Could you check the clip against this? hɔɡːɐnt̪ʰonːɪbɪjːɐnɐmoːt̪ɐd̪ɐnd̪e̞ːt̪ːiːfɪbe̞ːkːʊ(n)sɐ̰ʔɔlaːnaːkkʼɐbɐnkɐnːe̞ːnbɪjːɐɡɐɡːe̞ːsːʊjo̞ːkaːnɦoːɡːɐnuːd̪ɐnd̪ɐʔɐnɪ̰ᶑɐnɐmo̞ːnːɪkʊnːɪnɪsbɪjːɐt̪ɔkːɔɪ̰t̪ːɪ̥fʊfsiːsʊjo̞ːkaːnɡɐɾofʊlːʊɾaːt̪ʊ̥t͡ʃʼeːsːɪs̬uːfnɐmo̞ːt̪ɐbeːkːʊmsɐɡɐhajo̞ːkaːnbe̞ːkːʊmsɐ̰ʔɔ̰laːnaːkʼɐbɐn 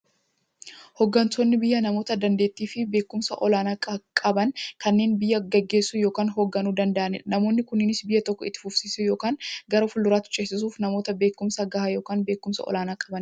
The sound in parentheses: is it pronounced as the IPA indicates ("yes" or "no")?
no